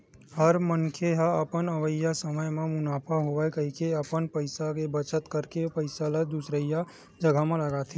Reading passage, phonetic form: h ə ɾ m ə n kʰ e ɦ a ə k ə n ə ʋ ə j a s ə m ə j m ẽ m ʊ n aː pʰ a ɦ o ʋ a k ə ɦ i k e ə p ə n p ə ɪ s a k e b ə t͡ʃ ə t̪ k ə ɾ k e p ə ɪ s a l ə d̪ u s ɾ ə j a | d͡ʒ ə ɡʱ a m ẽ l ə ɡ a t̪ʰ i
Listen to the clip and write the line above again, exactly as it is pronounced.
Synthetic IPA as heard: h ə ɾ m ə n kʰ e ɦ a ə p ə n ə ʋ ə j a s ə m ə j m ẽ m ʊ n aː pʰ a ɦ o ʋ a k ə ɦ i k e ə p ə n p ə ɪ s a k e b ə t͡ʃ ə t̪ k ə ɾ k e p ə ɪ s a l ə d̪ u s ɾ ə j a | d͡ʒ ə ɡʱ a m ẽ l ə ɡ a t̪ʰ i